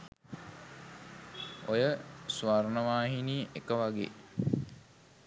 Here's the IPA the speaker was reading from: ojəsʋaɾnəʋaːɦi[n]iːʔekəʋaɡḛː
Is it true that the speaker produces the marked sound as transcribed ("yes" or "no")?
yes